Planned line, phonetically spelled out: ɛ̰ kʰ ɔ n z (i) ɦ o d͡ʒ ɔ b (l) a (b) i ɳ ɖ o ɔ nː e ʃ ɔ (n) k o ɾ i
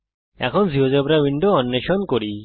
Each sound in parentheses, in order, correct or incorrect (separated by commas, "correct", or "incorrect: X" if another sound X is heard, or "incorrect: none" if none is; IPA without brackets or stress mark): correct, incorrect: ɾ, incorrect: w, correct